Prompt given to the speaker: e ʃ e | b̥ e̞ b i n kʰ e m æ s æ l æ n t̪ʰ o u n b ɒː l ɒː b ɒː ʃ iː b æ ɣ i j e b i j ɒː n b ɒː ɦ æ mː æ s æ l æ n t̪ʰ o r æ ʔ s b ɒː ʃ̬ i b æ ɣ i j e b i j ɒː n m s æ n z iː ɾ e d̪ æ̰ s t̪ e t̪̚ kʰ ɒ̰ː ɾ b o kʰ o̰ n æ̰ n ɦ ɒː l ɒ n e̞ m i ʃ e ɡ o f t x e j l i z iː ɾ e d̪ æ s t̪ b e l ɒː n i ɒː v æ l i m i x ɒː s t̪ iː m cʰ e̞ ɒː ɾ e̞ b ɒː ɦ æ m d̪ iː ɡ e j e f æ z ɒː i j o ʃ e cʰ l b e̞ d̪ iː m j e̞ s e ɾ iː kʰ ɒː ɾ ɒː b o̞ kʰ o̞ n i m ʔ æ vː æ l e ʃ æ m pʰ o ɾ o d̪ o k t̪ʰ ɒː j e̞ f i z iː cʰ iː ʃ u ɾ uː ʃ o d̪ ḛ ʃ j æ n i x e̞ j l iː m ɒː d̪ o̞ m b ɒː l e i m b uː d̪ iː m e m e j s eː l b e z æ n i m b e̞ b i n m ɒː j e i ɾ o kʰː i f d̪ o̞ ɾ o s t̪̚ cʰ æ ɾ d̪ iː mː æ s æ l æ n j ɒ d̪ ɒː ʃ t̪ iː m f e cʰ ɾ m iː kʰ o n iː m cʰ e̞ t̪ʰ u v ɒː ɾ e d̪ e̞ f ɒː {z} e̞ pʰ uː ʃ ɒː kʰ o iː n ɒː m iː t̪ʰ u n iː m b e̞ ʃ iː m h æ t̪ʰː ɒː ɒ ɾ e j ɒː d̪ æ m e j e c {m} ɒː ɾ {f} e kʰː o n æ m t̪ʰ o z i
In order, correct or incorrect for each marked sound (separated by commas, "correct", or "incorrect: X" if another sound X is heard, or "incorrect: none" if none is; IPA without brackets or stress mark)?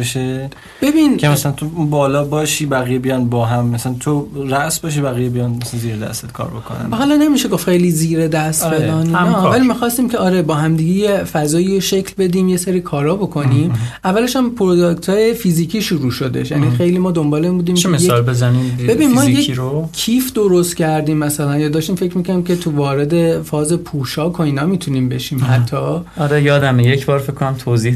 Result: correct, incorrect: b, correct